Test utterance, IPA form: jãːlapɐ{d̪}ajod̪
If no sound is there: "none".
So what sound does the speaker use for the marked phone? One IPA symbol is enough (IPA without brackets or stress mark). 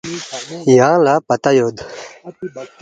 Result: t̪